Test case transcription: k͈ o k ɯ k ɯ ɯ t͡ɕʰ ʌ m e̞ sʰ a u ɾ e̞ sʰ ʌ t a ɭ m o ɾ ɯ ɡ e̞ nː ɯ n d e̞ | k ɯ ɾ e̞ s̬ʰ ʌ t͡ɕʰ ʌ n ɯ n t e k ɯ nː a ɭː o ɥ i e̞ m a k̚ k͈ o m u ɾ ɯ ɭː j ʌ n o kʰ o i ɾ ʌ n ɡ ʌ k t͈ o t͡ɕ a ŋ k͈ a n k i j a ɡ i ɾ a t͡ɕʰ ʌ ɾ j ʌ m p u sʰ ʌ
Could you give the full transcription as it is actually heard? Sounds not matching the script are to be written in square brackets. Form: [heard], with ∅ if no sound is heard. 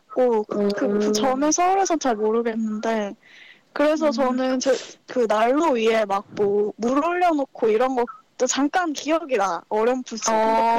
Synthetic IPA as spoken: k͈ o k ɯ k ɯ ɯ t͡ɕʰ ʌ m e̞ sʰ [ʌ] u ɾ e̞ sʰ ʌ [t͡ɕ] a ɭ m o ɾ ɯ ɡ e̞ nː ɯ n d e̞ | k ɯ ɾ e̞ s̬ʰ ʌ [t͡ɕ] ʌ n ɯ n [t͡ɕ] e k ɯ [n] a ɭː o ɥ i e̞ m a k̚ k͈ o m u ɾ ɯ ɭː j ʌ n o kʰ o i ɾ ʌ n ɡ ʌ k t͈ o t͡ɕ a ŋ k͈ a n k i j [ʌ] ɡ i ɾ a [∅] ʌ ɾ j ʌ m p u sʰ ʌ